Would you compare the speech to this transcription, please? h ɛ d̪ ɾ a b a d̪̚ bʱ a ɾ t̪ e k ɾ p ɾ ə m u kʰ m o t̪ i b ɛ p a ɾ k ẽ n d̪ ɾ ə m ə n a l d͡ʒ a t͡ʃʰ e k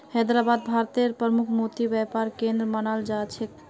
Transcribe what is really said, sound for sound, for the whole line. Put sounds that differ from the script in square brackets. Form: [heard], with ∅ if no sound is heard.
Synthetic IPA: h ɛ d̪ ɾ a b a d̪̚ bʱ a ɾ t̪ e [∅] ɾ p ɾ ə m u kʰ m o t̪ i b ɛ p a ɾ k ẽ n d̪ ɾ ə m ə n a l d͡ʒ a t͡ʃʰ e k

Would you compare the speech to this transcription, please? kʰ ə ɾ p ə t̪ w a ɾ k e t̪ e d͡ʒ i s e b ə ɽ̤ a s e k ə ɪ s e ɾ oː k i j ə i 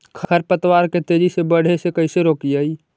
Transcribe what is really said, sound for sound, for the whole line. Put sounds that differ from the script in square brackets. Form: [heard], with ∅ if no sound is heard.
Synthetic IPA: kʰ ə ɾ p ə t̪ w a ɾ k e t̪ e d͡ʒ i s e b ə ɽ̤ [e] s e k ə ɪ s e ɾ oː k i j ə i

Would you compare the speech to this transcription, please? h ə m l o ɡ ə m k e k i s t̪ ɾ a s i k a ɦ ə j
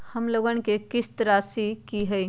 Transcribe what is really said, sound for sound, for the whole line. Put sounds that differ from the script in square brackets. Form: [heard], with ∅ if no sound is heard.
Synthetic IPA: h ə m l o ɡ ə [n] k e k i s t̪ ɾ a s i k [i] ɦ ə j

